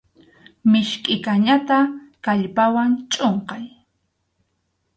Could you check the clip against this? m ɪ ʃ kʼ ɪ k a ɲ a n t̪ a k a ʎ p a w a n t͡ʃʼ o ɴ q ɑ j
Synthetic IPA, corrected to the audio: m ɪ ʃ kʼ ɪ k a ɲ a t̪ a k a ʎ p a w a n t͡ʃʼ o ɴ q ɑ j